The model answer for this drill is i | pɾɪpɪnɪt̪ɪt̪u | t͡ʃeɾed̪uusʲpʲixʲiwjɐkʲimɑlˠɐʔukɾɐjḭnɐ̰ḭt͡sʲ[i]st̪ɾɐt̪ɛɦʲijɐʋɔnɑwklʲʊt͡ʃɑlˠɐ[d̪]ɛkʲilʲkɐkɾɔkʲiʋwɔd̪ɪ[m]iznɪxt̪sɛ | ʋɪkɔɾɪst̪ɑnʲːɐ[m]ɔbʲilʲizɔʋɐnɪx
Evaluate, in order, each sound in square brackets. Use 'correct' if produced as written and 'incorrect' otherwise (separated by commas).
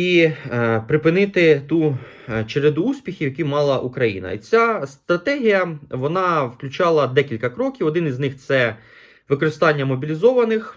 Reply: incorrect, correct, incorrect, correct